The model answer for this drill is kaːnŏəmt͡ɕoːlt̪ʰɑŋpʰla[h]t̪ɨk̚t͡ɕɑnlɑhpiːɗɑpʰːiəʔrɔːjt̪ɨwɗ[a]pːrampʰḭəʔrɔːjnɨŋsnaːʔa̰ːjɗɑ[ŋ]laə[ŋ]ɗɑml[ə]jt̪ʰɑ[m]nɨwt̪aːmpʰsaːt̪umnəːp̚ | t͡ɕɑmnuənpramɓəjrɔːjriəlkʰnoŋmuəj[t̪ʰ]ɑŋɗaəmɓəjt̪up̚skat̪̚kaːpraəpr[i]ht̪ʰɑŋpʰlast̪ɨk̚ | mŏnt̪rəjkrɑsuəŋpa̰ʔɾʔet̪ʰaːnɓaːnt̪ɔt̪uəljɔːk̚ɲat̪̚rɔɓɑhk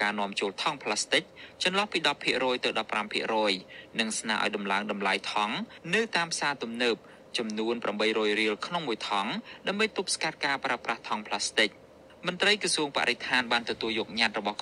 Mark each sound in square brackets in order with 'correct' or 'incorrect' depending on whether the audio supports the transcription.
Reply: incorrect: s, incorrect: ɑ, incorrect: m, correct, incorrect: a, incorrect: ŋ, correct, incorrect: a

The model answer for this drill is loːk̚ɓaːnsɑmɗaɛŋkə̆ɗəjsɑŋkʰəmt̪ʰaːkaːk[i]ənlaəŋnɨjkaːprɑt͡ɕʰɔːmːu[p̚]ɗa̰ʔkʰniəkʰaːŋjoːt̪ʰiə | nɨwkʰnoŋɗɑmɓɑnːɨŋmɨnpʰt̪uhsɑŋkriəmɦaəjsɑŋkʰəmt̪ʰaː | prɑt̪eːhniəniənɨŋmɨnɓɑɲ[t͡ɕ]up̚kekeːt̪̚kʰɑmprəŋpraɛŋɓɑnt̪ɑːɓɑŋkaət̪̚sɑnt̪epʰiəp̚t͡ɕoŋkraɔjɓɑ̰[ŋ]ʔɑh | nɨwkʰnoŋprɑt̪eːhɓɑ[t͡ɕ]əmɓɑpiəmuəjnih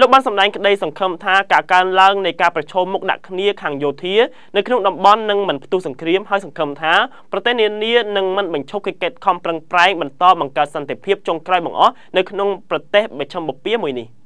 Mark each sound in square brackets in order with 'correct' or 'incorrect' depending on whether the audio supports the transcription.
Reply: incorrect: a, incorrect: k̚, incorrect: t͡ɕʰ, correct, incorrect: t͡ɕʰ

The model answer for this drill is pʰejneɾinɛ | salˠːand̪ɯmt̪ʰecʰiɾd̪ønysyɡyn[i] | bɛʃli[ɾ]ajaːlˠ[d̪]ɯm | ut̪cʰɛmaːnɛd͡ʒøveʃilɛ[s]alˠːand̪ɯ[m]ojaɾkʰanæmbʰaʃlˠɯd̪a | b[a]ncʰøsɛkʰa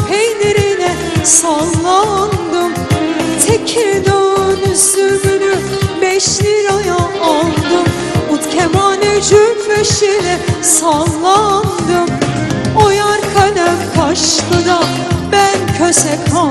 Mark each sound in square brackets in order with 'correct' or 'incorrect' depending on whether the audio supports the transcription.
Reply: incorrect: y, correct, correct, correct, correct, incorrect: æ

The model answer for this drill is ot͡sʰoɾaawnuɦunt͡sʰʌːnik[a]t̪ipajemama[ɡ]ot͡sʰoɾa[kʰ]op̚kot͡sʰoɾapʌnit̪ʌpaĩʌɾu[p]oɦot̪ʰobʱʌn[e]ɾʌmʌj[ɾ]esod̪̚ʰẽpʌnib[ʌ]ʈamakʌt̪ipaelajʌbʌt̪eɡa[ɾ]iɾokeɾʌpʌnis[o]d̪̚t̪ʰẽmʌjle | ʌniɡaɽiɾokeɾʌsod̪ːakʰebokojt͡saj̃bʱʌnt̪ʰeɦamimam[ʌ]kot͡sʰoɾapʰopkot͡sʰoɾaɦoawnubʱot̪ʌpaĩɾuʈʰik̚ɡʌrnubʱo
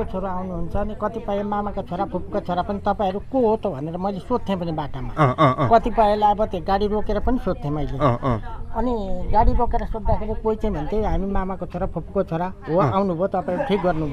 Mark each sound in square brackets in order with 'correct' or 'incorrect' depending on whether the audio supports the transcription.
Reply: incorrect: ʌ, incorrect: k, incorrect: pʰ, incorrect: k, correct, incorrect: l, incorrect: a, incorrect: ɽ, correct, incorrect: a

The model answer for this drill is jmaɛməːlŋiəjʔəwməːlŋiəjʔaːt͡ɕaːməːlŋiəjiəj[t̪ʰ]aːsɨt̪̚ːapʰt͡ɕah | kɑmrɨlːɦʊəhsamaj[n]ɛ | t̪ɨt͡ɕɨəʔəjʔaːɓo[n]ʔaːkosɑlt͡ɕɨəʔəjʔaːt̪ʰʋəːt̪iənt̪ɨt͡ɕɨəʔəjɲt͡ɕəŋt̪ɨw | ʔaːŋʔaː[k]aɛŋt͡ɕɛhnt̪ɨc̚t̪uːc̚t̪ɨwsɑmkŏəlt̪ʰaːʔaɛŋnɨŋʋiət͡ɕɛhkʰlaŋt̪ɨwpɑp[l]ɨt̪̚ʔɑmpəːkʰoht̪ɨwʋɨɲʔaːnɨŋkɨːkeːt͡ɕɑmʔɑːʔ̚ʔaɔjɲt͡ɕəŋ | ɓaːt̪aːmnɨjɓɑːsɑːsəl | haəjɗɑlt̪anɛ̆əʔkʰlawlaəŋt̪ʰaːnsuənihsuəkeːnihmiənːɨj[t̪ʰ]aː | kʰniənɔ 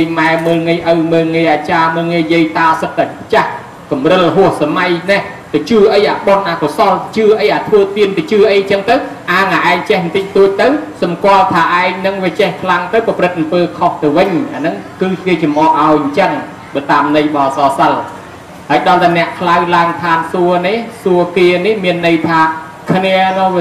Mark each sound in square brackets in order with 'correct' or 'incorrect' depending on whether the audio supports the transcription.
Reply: incorrect: t̪, correct, correct, incorrect: ʔ, incorrect: r, correct

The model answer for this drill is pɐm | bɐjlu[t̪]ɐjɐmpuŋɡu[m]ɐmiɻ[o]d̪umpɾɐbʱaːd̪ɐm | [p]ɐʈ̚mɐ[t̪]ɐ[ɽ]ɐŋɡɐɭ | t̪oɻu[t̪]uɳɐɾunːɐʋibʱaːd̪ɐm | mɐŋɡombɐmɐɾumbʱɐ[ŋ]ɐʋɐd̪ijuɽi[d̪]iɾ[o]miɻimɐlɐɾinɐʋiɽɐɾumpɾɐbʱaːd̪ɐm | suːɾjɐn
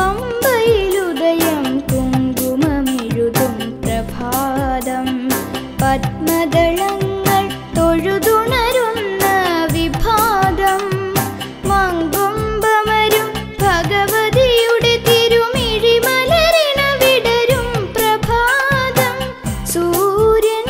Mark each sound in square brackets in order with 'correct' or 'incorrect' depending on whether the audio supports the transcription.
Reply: incorrect: d̪, correct, incorrect: u, correct, incorrect: d̪, incorrect: ɭ, incorrect: d̪, incorrect: ɡ, incorrect: t̪, incorrect: u

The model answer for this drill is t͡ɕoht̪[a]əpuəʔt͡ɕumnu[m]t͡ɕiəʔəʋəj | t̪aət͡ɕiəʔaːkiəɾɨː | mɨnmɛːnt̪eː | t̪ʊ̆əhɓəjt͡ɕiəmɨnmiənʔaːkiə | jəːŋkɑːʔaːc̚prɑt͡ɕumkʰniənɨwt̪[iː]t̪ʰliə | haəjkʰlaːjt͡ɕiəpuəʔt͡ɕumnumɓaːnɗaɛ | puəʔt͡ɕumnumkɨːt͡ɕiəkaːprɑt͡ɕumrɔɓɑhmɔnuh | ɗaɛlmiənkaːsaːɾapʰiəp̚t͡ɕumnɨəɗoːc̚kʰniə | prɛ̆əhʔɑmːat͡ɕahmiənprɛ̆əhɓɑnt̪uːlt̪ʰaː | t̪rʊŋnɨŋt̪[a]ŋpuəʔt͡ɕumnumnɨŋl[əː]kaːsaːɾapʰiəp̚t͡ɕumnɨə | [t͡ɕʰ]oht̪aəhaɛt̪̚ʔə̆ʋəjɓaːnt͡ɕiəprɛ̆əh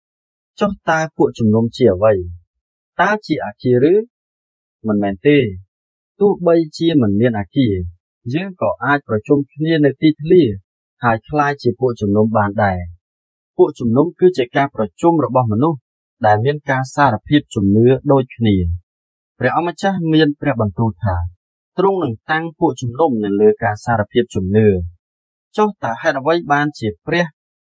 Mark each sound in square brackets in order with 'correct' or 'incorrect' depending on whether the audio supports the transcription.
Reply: correct, correct, correct, correct, correct, incorrect: t͡ɕ

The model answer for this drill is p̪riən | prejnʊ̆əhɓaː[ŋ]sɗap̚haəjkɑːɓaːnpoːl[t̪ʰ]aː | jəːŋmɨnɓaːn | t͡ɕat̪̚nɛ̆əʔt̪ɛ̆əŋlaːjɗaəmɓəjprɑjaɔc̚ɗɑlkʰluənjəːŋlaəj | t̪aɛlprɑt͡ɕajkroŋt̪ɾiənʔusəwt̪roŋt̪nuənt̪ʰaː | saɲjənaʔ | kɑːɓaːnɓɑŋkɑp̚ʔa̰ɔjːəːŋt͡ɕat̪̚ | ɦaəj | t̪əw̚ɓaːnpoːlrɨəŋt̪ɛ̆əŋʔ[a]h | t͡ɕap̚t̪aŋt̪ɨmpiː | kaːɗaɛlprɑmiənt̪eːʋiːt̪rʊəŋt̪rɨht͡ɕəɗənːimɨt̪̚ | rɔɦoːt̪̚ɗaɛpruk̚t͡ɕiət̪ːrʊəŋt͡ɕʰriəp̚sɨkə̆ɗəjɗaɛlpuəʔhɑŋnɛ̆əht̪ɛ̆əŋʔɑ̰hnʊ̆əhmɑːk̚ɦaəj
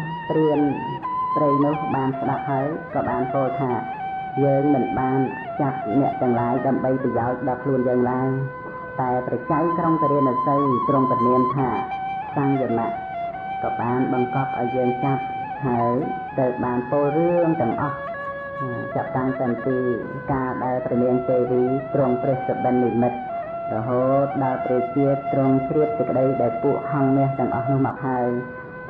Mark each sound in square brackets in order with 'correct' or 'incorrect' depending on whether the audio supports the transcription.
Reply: incorrect: n, correct, incorrect: ɑ

